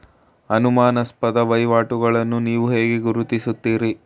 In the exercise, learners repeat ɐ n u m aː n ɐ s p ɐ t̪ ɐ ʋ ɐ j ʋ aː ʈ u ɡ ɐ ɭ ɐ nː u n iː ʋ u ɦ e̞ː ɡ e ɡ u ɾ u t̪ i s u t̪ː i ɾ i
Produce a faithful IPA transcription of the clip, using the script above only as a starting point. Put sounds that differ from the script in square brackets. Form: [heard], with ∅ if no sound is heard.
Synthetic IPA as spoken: ɐ n u m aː n ɐ s p ɐ [d̪] ɐ ʋ ɐ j ʋ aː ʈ u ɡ ɐ ɭ ɐ nː u n iː ʋ u ɦ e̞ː ɡ e ɡ u ɾ u t̪ i s u t̪ː [iː] ɾ i